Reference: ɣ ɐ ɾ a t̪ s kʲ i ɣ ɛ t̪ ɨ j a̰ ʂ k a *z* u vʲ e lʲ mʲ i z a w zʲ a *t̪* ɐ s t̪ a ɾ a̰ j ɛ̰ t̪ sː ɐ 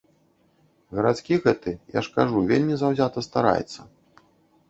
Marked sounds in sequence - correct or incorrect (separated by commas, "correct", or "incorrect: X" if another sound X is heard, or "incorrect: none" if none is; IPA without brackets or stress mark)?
incorrect: ʐ, correct